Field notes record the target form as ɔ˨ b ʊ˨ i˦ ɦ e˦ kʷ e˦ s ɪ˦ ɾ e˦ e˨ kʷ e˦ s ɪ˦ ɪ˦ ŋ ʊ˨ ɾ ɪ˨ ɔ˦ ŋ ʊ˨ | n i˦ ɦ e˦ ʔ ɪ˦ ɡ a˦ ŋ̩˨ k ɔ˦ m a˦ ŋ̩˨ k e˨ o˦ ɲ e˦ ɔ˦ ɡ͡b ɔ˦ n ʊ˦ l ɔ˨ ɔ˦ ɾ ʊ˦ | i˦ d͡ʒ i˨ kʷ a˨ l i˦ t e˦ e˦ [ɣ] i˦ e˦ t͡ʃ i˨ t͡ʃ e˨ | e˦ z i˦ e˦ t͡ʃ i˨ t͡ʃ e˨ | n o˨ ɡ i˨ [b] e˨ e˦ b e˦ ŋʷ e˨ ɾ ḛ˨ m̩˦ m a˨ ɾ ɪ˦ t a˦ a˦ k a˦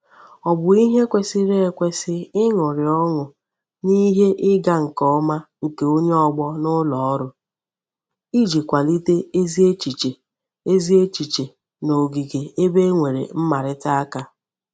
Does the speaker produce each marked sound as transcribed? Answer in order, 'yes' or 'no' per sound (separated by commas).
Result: no, no